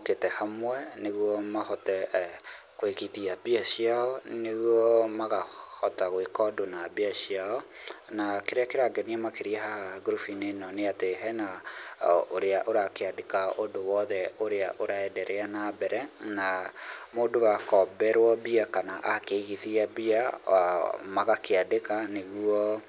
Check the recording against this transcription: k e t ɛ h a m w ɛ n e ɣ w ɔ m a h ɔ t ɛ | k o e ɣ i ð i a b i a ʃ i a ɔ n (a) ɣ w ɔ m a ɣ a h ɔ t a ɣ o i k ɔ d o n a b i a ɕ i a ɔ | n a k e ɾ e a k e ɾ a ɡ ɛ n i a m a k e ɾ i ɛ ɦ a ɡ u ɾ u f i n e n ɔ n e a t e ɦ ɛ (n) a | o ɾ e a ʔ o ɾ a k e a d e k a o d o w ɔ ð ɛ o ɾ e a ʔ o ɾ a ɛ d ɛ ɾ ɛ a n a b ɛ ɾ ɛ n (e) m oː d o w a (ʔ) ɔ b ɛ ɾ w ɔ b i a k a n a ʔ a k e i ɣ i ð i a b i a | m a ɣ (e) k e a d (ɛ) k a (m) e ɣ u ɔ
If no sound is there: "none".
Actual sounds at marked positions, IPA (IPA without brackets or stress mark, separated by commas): e, n, a, k, a, e, n